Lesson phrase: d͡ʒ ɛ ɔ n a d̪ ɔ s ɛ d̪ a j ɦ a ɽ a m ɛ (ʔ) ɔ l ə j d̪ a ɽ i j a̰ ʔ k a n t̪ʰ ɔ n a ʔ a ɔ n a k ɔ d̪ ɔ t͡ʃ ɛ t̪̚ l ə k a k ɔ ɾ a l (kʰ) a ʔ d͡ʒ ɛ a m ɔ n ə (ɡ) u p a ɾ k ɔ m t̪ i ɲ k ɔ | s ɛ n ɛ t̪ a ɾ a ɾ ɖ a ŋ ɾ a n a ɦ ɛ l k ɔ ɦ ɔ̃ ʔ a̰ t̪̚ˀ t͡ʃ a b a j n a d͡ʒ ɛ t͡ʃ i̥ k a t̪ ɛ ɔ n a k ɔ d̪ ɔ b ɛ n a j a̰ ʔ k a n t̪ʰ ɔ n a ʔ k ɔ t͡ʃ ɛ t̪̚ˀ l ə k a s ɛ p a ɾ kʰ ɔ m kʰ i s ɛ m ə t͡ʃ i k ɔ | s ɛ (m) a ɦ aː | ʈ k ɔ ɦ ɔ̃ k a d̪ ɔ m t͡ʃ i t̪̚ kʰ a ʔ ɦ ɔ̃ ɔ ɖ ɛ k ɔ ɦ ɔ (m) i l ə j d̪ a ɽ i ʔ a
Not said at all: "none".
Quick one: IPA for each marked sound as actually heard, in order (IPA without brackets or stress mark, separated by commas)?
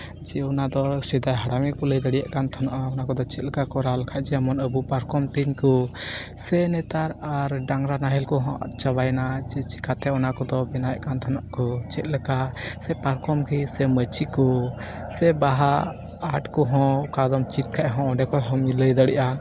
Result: k, kʰ, b, b, m